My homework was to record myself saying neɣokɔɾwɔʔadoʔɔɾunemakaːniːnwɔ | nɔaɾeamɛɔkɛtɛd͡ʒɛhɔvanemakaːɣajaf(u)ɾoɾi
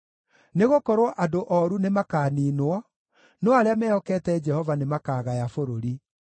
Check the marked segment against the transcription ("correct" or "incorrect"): incorrect